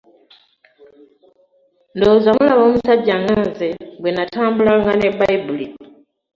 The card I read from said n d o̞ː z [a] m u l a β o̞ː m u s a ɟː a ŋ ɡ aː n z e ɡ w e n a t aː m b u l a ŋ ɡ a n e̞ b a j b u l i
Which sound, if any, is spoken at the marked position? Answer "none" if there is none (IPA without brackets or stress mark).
a